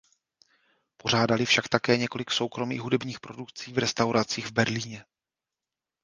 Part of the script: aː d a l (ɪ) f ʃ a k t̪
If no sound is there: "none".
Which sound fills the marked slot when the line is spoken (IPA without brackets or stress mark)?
ɪ